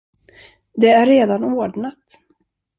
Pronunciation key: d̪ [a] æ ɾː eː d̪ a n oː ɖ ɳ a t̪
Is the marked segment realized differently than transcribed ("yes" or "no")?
yes